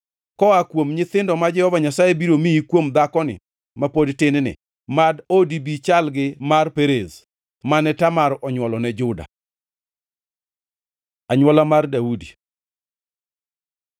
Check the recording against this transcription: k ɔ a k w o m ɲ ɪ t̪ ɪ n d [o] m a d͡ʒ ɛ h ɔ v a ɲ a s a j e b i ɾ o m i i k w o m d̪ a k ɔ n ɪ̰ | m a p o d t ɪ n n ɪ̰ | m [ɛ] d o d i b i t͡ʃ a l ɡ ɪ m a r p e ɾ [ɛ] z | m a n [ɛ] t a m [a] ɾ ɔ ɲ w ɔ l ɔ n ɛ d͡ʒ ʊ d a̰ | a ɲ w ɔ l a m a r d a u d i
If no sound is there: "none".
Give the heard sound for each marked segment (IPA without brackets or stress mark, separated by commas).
ɔ, a, e, ɛ, a